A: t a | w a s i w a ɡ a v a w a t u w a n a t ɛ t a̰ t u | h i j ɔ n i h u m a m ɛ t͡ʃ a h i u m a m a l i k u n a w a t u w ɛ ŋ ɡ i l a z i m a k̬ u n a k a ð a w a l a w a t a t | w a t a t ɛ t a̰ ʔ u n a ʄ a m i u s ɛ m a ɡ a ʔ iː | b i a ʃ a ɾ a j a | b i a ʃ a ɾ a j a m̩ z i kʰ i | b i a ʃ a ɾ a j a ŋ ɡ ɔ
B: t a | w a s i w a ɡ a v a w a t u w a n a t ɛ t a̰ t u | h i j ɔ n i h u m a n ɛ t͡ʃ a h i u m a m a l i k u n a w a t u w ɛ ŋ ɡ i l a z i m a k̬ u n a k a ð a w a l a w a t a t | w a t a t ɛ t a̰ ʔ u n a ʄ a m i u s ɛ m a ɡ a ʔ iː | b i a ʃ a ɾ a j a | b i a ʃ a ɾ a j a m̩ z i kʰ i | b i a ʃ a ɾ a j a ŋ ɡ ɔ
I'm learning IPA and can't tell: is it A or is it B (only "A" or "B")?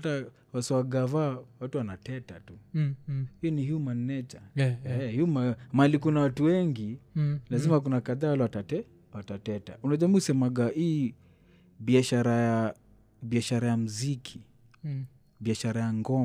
B